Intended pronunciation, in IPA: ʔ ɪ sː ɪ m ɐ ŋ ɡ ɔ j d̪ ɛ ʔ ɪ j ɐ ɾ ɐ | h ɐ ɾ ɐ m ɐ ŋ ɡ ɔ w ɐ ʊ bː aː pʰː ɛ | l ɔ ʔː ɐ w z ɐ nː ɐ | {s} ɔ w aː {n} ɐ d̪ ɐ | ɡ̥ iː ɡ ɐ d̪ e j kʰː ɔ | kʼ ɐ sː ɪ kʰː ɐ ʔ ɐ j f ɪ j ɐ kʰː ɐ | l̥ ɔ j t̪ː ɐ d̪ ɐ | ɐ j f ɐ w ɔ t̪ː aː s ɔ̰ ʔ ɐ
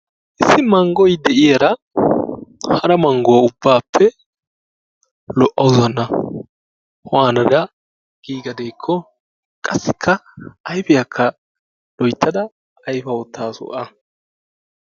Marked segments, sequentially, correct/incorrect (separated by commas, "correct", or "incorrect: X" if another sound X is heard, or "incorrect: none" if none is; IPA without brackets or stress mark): incorrect: h, correct